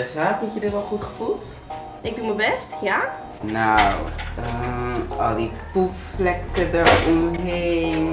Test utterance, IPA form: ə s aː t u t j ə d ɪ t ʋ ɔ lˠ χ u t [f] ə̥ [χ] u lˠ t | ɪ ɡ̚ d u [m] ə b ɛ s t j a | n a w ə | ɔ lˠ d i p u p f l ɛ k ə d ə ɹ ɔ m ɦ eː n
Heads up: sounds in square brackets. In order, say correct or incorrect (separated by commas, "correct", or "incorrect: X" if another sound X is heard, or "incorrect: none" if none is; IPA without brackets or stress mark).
incorrect: χ, incorrect: f, correct